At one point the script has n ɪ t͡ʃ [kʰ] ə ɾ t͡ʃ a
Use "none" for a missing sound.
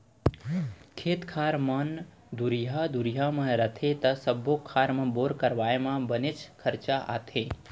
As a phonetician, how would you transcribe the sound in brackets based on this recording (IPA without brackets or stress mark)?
kʰ